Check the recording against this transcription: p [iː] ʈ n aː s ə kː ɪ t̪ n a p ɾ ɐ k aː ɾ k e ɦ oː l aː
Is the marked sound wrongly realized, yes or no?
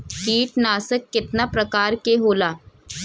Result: no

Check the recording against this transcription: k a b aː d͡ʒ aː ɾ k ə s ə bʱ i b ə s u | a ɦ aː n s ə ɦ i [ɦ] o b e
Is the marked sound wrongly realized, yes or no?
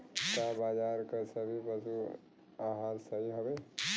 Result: no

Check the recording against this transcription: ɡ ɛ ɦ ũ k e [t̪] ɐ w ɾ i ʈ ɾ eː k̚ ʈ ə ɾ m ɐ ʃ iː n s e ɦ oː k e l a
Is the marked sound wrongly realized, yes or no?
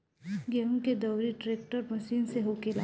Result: yes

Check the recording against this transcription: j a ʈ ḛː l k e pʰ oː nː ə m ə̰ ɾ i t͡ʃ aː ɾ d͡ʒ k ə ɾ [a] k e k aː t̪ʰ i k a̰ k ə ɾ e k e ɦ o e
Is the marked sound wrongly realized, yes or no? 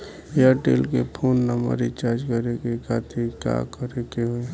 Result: yes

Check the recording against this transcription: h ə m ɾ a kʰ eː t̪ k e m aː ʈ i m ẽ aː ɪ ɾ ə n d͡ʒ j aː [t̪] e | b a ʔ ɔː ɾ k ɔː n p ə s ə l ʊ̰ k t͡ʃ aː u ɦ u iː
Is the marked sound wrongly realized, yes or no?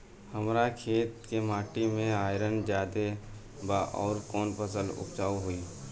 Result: yes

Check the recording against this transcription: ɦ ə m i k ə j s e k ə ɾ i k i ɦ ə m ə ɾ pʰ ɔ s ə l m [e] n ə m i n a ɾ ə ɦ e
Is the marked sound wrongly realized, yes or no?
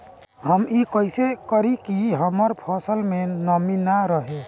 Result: no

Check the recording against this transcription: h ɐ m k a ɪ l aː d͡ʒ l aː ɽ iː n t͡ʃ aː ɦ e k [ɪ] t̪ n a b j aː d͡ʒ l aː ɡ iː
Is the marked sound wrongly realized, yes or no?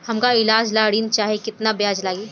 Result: no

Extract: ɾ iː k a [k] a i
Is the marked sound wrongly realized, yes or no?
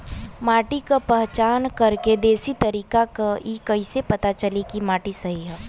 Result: no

